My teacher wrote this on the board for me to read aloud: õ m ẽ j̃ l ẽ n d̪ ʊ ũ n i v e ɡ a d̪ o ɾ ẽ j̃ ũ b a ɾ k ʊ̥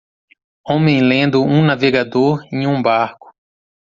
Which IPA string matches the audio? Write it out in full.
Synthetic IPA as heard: õ m ẽ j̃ l ẽ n d̪ ʊ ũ n a v e ɡ a d̪ o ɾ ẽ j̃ ũ b a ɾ k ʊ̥